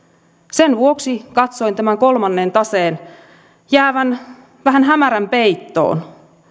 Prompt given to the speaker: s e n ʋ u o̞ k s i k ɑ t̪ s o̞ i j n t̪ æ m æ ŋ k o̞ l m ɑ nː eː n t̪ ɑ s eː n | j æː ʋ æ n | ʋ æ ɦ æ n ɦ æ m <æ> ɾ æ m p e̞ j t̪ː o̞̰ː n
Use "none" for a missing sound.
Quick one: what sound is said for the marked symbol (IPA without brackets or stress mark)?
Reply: æ